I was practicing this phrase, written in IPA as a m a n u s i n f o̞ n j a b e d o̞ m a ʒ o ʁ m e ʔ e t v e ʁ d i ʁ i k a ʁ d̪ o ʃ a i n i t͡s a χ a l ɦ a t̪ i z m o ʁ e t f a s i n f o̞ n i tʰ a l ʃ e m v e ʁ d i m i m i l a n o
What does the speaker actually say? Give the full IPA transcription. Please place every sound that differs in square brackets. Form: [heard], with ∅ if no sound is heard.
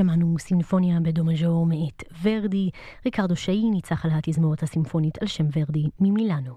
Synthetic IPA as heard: a m a n u s i n f o̞ n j a b e d o̞ m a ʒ o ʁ m e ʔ e t v e ʁ d i ʁ i k a ʁ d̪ o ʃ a i n i t͡s a χ a l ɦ a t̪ i z m o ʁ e t [h] a s i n f o̞ n i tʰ a l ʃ e m v e ʁ d i m i m i l a n o